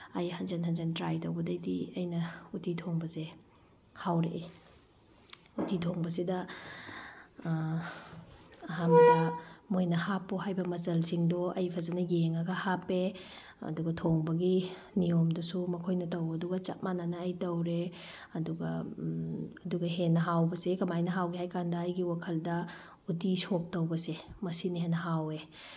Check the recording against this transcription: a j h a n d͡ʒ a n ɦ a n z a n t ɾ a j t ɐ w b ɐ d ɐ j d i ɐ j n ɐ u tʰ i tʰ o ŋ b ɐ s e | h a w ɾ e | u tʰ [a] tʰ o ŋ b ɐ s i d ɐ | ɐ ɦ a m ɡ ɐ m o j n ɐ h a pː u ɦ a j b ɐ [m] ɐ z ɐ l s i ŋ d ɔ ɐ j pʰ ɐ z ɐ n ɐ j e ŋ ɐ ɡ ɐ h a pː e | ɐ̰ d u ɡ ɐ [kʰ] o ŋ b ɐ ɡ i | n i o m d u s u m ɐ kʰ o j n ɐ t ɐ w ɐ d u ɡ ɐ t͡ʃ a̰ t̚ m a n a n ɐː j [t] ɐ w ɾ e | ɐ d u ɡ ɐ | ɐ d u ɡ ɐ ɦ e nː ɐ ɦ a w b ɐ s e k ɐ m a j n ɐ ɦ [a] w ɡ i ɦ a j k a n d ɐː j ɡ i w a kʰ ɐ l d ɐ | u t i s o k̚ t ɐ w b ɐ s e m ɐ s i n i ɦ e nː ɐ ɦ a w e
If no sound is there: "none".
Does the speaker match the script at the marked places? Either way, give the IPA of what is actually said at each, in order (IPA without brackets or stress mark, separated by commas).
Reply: i, m, tʰ, t, a